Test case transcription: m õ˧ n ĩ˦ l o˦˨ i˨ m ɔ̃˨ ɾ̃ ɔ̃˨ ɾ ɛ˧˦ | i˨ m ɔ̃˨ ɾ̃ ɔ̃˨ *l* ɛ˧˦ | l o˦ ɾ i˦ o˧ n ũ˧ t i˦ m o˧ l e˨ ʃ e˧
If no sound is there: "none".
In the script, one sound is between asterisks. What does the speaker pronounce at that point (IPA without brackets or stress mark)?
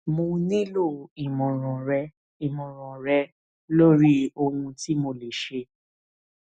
ɾ